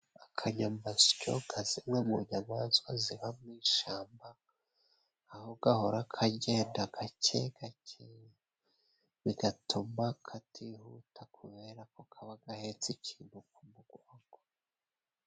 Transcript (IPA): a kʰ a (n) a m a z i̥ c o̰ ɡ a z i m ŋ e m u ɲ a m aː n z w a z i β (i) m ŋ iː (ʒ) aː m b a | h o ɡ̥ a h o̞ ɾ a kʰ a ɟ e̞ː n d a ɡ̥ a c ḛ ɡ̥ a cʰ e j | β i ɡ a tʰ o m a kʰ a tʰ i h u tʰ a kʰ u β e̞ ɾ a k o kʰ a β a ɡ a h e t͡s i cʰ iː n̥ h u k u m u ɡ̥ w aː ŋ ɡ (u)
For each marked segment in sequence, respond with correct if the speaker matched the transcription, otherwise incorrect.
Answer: incorrect: ɲ, incorrect: a, incorrect: ʃ, incorrect: o

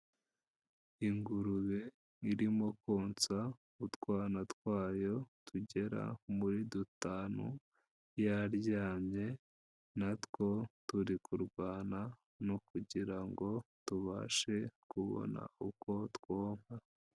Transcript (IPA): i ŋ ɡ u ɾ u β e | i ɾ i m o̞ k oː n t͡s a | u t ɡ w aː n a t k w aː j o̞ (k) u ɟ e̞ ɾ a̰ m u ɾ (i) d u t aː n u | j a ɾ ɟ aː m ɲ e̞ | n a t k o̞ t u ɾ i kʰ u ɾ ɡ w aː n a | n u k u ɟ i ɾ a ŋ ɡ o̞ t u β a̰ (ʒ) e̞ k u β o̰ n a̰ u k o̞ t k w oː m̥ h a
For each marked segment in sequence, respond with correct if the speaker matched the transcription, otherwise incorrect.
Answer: incorrect: t, correct, incorrect: ʃ

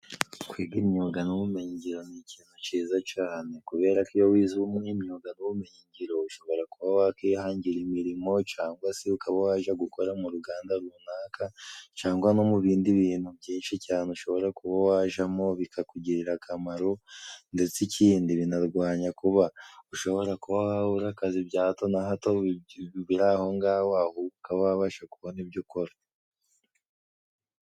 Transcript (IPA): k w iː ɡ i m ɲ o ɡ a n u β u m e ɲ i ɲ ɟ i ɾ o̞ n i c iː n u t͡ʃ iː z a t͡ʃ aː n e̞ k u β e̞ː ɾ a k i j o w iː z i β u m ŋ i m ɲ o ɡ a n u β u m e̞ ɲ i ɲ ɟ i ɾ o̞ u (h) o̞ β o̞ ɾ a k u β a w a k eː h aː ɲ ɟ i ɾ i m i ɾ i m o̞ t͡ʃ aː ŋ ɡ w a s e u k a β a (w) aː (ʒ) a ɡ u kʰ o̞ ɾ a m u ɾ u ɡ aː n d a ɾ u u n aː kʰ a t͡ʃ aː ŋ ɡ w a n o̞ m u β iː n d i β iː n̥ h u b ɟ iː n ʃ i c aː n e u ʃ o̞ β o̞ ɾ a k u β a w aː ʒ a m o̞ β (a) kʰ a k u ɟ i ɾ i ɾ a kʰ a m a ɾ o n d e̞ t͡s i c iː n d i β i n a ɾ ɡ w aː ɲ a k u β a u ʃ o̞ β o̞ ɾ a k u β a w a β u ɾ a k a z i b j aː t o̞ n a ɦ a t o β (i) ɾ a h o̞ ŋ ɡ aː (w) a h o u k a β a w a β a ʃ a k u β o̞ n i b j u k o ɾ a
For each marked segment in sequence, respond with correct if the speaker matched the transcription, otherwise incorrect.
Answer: incorrect: ʃ, correct, correct, incorrect: i, correct, correct

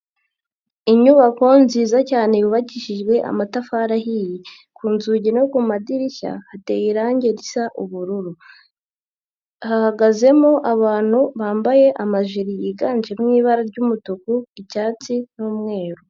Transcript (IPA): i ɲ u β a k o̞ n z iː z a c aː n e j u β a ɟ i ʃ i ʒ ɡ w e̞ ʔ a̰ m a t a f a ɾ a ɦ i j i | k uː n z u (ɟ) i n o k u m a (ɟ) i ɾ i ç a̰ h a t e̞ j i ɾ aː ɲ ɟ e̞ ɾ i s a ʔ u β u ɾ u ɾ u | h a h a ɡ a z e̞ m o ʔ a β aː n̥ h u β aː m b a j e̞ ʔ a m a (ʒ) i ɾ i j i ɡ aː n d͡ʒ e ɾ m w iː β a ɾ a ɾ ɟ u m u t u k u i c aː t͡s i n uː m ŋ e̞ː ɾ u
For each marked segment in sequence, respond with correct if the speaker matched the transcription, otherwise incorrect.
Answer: correct, incorrect: d, correct

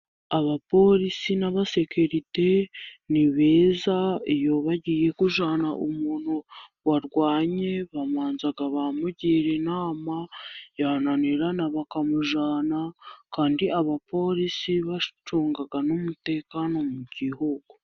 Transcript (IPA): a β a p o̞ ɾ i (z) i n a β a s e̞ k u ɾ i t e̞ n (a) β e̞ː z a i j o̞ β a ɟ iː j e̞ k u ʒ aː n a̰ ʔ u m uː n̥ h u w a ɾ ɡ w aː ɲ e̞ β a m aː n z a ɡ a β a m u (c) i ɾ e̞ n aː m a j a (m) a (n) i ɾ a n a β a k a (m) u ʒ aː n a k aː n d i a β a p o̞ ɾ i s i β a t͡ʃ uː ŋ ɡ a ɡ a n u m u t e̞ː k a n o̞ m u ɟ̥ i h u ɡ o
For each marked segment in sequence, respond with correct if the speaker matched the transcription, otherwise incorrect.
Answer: incorrect: s, incorrect: i, incorrect: ɟ, incorrect: n, correct, correct

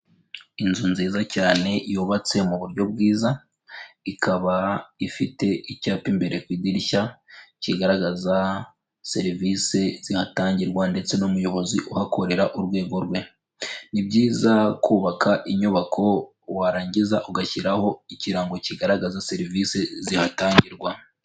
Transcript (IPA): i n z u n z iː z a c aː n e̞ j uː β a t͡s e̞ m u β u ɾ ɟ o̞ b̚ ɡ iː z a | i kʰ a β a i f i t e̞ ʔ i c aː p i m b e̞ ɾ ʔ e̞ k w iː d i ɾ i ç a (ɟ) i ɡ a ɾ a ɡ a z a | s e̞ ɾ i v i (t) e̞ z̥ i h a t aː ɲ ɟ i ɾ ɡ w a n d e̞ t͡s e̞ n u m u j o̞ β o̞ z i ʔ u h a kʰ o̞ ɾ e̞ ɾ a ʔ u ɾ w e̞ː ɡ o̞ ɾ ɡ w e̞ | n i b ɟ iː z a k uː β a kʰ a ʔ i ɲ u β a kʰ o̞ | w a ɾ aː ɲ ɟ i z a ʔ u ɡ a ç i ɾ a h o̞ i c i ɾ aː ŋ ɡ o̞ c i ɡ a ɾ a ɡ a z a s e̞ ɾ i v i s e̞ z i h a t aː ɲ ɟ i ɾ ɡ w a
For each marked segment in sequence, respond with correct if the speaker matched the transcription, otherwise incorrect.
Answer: incorrect: c, incorrect: s

